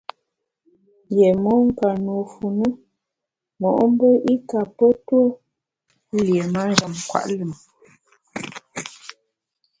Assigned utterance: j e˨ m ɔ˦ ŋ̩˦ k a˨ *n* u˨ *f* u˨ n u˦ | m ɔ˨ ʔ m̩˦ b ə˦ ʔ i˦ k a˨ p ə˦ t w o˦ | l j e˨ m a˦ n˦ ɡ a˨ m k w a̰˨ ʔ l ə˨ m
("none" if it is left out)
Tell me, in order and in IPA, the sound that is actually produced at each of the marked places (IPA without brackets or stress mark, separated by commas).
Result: n, f